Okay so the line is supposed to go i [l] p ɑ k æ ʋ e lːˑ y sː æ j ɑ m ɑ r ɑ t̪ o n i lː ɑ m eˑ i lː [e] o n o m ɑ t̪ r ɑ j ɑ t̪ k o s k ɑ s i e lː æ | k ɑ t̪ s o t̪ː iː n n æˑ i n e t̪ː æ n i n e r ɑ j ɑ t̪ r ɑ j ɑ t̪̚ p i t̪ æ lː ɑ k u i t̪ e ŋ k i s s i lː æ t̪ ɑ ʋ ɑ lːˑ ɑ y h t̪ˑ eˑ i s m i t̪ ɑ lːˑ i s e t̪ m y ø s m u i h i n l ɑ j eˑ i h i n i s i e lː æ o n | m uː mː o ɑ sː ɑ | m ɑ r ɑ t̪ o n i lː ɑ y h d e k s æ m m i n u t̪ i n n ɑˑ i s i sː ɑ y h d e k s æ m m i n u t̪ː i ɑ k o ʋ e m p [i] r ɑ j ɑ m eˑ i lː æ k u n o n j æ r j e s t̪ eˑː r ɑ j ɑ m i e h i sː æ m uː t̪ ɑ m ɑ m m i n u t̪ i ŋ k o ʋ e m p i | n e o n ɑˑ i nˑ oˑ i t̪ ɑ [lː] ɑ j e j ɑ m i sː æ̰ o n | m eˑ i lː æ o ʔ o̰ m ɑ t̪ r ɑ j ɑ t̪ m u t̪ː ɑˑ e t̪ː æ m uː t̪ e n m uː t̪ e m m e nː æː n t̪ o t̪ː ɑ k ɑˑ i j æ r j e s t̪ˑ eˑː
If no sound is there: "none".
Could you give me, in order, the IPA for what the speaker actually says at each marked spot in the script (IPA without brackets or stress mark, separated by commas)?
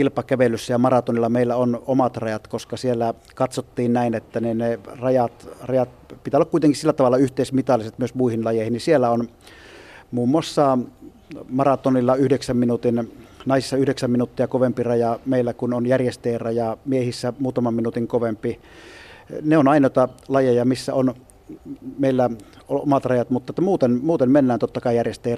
l, æ, i, l